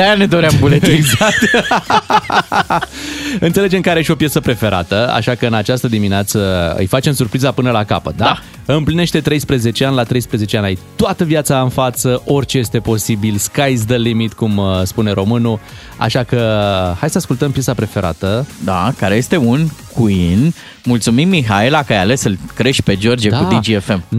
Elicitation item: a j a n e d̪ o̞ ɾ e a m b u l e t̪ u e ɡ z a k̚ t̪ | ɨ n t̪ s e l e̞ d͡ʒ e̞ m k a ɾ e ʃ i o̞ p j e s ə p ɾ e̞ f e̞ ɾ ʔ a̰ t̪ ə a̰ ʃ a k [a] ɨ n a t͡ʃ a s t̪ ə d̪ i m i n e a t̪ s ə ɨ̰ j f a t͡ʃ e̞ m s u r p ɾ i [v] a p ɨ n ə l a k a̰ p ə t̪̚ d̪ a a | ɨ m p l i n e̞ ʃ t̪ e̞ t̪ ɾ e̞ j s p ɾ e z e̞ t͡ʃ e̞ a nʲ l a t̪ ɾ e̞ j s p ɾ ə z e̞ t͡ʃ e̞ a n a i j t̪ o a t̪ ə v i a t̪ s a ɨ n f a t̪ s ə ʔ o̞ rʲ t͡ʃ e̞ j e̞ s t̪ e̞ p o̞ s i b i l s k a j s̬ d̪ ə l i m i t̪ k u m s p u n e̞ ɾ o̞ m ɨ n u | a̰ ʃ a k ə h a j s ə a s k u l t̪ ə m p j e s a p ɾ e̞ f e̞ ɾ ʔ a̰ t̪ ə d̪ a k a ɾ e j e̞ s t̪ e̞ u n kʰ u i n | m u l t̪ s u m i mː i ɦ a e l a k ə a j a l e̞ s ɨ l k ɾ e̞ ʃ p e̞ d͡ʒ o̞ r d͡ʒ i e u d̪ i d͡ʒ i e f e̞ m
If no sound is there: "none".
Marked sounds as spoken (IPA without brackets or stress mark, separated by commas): ə, z